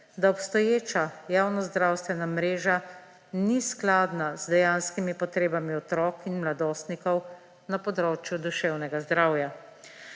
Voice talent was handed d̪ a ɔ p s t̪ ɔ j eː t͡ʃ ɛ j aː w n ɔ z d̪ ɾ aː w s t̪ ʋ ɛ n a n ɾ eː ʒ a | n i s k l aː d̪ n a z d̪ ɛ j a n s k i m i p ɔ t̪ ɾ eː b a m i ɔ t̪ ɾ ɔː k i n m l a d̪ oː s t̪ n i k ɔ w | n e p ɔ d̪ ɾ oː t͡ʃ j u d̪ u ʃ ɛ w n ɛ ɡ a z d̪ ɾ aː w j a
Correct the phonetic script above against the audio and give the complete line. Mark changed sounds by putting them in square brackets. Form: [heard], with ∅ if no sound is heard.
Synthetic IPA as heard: d̪ a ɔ p s t̪ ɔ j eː t͡ʃ [a] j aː w n ɔ z d̪ ɾ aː w s t̪ ʋ ɛ n a [m] ɾ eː ʒ a | n i s k l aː d̪ n a z d̪ ɛ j a n s k i m i p ɔ t̪ ɾ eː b a m i ɔ t̪ ɾ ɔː k i n m l a d̪ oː s t̪ n i k ɔ w | n [a] p ɔ d̪ ɾ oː t͡ʃ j u d̪ u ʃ ɛ w n ɛ ɡ a z d̪ ɾ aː w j a